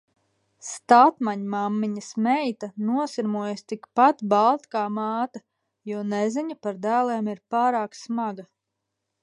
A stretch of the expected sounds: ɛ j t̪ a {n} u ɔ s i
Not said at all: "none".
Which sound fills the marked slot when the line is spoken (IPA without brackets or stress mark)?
n